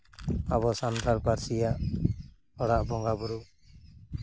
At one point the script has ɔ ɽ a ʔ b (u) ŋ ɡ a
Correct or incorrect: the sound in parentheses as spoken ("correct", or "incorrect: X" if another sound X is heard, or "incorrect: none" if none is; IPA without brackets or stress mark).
incorrect: ɔ